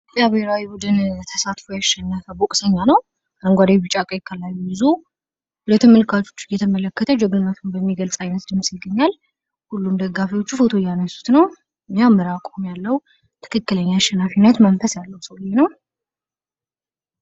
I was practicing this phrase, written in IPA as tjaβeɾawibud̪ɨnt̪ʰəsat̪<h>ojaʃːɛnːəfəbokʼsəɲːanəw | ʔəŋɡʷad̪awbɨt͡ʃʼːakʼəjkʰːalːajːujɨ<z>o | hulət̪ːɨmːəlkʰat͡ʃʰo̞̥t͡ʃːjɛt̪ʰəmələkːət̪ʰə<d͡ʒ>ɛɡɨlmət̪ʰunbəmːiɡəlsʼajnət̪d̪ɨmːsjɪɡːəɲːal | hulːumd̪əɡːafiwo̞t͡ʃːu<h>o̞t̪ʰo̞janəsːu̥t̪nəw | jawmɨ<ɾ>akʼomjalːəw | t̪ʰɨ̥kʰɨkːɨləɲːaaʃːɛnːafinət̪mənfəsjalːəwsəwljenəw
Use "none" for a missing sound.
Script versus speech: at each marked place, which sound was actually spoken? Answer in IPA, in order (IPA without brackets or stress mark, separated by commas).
f, z, d͡ʒ, f, ɾ